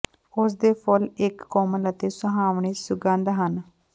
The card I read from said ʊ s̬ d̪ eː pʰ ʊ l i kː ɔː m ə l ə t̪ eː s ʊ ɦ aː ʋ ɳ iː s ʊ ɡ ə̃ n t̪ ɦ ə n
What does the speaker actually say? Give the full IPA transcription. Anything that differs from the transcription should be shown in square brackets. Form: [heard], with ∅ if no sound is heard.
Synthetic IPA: ʊ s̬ d̪ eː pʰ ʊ l [ɪ] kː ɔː m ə l ə t̪ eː s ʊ ɦ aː ʋ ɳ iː s ʊ ɡ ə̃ n [d̪] ɦ ə n

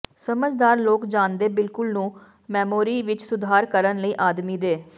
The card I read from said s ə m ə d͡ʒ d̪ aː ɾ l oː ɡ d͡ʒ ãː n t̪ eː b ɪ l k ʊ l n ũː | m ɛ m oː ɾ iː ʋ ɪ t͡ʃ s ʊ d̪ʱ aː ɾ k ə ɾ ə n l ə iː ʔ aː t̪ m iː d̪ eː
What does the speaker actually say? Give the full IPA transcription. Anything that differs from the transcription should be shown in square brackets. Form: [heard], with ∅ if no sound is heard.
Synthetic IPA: s ə m ə d͡ʒ d̪ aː ɾ l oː [k] d͡ʒ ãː n [d̪] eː b ɪ l k ʊ l n ũː | m [ɛː] m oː ɾ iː ʋ ɪ t͡ʃ s ʊ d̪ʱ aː ɾ k ə ɾ ə n l ə iː ʔ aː [d̪] m iː d̪ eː

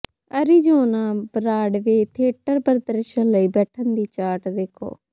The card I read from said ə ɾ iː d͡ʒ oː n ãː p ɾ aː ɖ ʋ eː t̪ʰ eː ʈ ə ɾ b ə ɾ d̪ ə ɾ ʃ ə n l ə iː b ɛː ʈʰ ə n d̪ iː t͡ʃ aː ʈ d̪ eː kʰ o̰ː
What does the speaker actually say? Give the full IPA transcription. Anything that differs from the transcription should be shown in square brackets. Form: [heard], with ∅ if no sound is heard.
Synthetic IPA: ə ɾ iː d͡ʒ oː n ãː [b] ɾ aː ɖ ʋ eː t̪ʰ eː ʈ ə ɾ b ə ɾ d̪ ə ɾ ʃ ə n l ə iː b ɛː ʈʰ ə n d̪ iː t͡ʃ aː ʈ d̪ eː kʰ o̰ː

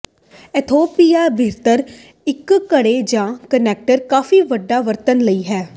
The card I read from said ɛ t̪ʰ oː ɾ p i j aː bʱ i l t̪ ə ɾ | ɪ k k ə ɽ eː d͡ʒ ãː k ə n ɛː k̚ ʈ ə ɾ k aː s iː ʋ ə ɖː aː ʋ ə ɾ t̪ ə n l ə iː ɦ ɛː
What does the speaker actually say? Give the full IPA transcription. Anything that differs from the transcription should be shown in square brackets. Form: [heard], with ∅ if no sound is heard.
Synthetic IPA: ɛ t̪ʰ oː [∅] p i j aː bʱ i [ɾ] t̪ ə ɾ | ɪ k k ə ɽ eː d͡ʒ ãː k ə n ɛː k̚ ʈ ə ɾ k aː [f] iː ʋ ə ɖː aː ʋ ə ɾ t̪ ə n l ə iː ɦ ɛː

